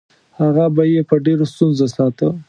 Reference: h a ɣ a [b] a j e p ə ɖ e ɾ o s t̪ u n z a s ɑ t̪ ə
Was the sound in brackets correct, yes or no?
yes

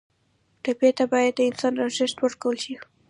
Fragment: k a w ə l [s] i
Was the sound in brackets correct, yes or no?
no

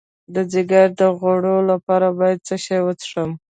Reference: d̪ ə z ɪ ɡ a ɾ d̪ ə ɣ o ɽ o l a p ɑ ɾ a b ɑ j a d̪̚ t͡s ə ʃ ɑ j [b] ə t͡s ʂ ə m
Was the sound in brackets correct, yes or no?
no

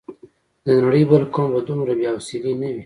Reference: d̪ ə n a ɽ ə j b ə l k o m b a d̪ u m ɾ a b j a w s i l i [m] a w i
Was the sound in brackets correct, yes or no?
no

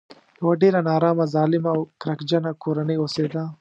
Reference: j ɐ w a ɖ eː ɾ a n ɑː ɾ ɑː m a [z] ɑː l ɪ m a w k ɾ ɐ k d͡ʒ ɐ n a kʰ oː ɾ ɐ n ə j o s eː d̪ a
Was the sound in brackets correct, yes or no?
yes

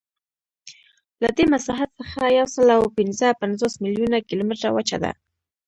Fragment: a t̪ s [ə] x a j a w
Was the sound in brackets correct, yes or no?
yes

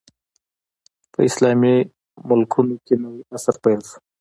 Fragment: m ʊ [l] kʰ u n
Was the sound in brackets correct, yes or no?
yes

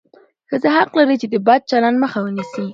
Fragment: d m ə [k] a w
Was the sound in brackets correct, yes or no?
no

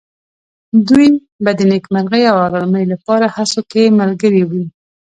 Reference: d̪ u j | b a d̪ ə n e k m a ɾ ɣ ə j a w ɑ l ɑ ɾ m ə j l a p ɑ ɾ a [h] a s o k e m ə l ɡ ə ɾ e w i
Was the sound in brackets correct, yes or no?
yes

